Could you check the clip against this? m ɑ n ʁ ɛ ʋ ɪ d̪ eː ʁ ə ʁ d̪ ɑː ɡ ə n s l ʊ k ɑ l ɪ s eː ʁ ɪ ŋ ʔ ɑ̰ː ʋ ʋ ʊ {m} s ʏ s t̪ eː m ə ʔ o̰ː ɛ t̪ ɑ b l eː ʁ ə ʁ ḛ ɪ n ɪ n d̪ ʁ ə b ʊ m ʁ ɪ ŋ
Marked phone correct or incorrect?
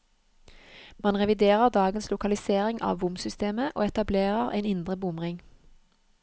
correct